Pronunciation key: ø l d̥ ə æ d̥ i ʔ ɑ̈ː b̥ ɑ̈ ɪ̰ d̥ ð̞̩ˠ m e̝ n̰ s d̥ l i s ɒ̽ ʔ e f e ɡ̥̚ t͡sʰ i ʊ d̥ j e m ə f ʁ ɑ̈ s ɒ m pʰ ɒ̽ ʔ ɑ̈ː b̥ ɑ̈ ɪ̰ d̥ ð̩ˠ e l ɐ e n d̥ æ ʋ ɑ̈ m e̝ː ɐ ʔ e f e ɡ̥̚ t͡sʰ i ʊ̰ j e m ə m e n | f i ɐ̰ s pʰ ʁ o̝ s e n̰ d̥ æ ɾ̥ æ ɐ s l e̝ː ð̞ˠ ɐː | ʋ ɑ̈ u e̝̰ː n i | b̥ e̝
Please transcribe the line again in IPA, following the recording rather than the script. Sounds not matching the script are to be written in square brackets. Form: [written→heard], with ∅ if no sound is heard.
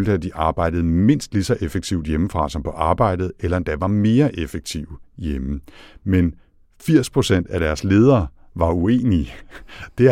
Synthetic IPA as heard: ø l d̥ ə æ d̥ i ʔ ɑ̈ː b̥ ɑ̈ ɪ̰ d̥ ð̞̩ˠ m e̝ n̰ s d̥ l i s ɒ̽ ʔ e f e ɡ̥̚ t͡sʰ i ʊ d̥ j e m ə f ʁ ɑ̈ s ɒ m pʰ ɒ̽ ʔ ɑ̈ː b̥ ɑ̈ ɪ̰ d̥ ð̩ˠ e l ɐ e n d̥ æ ʋ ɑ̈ m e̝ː ɐ ʔ e f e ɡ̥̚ t͡sʰ i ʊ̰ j e m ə m e n | f i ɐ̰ s pʰ ʁ o̝ s e n̰ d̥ æ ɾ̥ æ ɐ s l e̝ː ð̞ˠ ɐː | ʋ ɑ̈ u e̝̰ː n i | [b̥→d̥] e̝